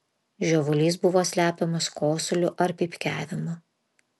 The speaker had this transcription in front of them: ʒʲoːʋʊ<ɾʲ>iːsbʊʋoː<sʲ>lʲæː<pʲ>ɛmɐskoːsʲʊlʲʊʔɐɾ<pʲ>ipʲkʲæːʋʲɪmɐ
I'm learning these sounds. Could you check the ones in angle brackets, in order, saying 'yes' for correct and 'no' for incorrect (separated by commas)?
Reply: no, yes, yes, yes